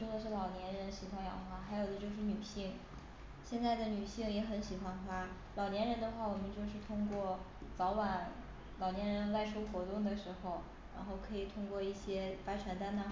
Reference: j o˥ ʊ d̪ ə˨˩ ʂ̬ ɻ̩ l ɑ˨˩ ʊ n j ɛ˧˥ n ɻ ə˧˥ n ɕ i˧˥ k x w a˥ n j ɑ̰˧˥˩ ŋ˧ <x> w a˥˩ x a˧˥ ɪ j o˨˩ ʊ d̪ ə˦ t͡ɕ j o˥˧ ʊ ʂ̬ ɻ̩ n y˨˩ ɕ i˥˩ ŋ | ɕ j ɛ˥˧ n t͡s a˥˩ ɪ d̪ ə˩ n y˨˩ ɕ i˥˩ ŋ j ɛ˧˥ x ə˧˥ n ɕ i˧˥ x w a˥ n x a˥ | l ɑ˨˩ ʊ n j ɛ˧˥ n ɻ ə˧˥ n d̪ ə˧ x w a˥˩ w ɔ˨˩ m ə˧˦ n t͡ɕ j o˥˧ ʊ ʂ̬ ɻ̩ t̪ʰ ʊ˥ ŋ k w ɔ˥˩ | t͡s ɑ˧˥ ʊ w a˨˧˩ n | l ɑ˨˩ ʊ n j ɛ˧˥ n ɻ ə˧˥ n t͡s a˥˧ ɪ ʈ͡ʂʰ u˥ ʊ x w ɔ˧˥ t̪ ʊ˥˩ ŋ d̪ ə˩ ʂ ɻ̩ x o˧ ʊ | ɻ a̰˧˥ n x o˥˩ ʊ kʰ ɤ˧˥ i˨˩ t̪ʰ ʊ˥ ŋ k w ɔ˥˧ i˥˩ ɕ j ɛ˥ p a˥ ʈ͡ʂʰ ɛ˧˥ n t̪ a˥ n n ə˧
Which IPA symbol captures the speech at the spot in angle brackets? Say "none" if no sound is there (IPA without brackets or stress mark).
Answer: x